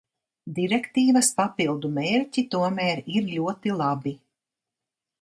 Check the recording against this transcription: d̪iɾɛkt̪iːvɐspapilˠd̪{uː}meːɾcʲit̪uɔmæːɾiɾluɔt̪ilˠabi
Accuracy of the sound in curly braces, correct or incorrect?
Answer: incorrect